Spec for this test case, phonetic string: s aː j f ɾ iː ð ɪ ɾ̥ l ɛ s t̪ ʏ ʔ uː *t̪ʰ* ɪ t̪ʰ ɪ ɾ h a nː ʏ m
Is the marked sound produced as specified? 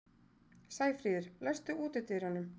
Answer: no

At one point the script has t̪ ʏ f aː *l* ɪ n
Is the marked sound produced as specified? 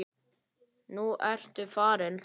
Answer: no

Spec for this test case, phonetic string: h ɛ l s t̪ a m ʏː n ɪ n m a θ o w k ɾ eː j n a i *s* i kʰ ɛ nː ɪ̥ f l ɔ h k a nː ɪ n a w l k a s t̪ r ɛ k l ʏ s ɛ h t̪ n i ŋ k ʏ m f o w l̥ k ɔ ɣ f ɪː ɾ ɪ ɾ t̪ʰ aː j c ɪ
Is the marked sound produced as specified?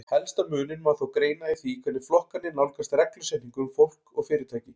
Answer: no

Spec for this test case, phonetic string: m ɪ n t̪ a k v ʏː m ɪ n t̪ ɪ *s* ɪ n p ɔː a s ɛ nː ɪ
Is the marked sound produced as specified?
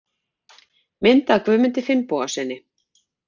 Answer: no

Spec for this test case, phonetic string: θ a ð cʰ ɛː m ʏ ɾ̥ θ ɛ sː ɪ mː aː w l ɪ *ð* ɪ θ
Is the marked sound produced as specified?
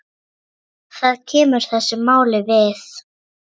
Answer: no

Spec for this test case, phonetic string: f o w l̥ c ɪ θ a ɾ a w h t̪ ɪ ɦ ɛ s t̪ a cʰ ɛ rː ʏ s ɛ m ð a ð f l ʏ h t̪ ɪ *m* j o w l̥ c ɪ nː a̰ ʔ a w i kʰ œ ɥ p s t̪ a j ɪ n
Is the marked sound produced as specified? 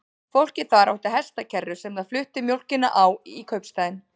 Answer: yes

